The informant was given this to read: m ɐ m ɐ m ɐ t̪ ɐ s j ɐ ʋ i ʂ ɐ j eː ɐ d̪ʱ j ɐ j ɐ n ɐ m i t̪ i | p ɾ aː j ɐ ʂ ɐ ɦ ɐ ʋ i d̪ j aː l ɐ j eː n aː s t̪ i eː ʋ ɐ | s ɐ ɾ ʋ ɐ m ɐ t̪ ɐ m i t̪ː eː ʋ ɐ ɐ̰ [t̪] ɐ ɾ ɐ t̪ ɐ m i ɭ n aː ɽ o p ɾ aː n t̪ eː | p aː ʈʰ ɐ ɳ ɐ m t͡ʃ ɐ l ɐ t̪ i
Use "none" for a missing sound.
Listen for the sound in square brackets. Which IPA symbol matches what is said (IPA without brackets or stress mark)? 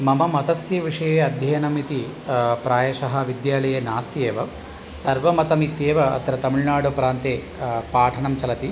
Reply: t̪